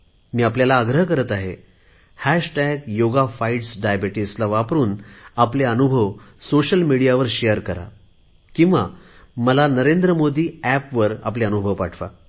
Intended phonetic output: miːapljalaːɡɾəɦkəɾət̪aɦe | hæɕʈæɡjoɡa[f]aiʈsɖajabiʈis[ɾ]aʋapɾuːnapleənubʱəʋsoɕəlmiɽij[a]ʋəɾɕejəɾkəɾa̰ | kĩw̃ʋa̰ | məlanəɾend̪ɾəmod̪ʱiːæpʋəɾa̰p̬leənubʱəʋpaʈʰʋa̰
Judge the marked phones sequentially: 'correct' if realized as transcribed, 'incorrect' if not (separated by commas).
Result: correct, incorrect, correct